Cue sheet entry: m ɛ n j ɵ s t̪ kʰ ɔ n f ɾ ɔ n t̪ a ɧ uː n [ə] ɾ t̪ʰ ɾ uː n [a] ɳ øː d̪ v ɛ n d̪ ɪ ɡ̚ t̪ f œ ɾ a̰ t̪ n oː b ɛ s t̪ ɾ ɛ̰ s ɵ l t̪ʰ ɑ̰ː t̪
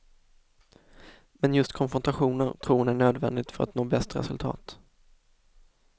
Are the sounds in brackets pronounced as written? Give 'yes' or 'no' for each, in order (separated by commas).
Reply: yes, no